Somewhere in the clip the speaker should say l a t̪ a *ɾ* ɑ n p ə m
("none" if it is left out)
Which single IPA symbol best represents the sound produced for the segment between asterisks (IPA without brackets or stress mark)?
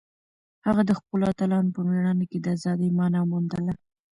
l